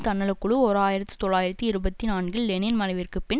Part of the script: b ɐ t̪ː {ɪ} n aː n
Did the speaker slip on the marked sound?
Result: yes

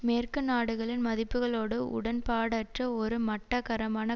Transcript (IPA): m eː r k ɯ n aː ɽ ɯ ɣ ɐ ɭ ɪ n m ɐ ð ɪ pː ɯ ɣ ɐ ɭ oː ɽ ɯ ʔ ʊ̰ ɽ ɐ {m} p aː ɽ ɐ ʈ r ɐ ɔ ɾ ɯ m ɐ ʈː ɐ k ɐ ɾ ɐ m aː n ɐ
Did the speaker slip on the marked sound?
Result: yes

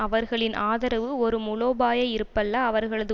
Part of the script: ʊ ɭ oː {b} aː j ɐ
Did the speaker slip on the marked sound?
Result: no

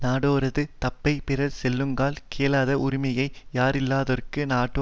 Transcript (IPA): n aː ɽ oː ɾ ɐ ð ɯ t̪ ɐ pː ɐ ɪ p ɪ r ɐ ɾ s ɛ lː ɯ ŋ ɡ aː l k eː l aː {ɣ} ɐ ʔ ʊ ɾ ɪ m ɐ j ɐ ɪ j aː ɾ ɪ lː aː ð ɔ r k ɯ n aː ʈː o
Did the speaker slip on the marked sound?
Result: yes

